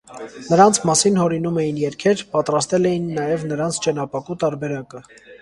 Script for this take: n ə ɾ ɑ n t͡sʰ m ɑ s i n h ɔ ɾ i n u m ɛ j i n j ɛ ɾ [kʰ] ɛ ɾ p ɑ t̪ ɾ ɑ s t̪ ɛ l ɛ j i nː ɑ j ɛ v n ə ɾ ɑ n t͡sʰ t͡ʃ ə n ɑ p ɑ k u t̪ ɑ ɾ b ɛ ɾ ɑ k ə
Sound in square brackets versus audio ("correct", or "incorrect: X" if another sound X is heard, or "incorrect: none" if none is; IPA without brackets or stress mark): correct